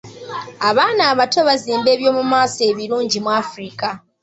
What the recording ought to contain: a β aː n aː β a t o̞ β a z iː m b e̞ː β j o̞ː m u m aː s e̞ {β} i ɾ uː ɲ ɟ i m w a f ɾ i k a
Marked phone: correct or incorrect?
correct